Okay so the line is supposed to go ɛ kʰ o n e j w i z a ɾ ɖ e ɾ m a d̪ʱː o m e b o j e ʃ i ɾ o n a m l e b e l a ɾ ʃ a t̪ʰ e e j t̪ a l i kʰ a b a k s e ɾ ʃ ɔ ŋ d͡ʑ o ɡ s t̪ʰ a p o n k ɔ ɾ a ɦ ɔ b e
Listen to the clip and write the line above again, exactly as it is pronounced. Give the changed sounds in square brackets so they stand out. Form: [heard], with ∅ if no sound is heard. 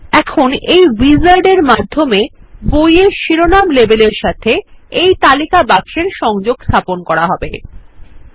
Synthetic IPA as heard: ɛ kʰ o n e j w i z a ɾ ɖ e ɾ m a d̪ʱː o m e b o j e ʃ i ɾ o n a m l e b e l [e] ɾ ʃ a t̪ʰ e e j t̪ a l i [k] a b a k [ʃ] e ɾ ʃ ɔ ŋ d͡ʑ o ɡ s t̪ʰ a p o n k ɔ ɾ a ɦ ɔ b e

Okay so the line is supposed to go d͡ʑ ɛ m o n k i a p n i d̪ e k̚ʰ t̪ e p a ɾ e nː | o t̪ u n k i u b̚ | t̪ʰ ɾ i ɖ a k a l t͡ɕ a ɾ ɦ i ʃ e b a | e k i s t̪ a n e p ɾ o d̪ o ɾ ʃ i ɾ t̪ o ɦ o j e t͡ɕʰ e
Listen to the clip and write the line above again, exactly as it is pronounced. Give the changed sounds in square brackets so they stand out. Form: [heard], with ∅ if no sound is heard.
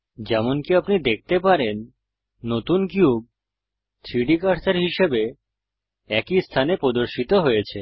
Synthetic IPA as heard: d͡ʑ ɛ m o n k i a p n i d̪ e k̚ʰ t̪ e p a ɾ e nː | o t̪ u n k i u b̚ | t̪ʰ ɾ i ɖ [i] k a [ɾ] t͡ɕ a ɾ ɦ i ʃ e b [e] | [ɛ] k i s [t̪ʰ] a n e p ɾ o d̪ o ɾ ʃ i [∅] t̪ o ɦ o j e t͡ɕʰ e

